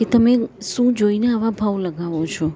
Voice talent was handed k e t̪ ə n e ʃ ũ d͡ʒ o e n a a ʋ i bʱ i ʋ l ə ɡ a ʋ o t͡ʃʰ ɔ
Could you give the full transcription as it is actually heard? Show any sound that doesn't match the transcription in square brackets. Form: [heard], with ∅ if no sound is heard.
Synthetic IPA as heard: k e t̪ ə [m] e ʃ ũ d͡ʒ o [i] n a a ʋ [a] bʱ [a] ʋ l ə ɡ a ʋ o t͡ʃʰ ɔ